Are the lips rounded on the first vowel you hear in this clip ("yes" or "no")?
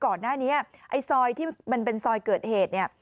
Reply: yes